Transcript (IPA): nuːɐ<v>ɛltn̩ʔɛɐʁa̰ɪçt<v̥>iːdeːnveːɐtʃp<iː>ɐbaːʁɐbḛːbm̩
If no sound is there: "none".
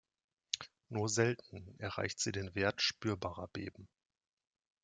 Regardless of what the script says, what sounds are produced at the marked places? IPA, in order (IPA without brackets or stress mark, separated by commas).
z, z̥, yː